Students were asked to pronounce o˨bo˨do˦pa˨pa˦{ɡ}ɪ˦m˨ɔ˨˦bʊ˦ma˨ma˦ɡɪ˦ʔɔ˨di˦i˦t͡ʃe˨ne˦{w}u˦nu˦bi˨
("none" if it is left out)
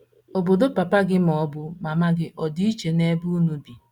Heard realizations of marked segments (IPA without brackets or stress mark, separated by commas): ɡ, b